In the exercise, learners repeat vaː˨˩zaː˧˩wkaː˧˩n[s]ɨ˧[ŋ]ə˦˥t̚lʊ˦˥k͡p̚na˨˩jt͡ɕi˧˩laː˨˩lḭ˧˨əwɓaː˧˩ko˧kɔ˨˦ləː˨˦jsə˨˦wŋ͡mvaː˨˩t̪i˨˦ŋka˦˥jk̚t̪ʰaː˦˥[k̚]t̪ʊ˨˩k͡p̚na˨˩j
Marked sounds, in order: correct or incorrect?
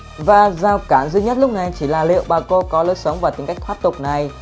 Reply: incorrect: z, incorrect: ɲ, incorrect: p̚

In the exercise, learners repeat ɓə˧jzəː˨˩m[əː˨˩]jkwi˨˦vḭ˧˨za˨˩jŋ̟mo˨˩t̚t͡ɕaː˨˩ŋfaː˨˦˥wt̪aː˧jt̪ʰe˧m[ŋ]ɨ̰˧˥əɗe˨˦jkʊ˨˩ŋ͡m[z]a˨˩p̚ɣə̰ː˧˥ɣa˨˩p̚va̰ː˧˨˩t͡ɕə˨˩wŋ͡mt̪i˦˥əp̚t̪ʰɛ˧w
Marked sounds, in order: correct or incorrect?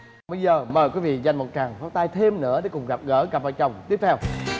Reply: correct, incorrect: n, incorrect: ɣ

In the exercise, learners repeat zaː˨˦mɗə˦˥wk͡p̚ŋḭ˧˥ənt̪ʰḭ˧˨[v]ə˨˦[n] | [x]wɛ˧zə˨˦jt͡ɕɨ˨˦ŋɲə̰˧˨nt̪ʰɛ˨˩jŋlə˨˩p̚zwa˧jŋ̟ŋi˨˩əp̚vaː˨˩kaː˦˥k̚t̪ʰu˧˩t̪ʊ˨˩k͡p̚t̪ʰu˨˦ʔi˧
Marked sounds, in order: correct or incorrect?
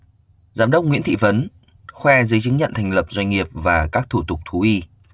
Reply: correct, correct, correct

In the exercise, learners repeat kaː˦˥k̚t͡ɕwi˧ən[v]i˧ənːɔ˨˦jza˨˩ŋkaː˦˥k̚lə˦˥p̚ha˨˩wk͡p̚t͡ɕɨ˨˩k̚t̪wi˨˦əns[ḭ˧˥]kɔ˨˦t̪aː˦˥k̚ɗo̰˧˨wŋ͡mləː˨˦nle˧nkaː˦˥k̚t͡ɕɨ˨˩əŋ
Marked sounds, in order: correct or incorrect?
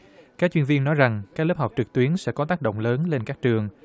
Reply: correct, incorrect: ɛ̰˧˥

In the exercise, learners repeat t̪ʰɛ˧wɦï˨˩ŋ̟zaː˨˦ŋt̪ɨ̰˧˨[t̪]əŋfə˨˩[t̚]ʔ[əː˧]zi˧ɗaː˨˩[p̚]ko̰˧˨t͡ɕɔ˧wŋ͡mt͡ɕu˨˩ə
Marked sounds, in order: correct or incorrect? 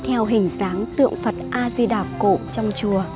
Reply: incorrect: none, correct, incorrect: aː˧, correct

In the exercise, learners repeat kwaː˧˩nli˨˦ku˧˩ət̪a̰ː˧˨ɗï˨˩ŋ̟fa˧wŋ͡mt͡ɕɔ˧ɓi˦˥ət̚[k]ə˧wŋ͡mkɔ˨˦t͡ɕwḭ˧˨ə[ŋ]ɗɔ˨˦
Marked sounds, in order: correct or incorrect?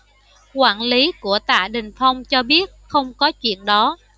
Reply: incorrect: x, incorrect: n

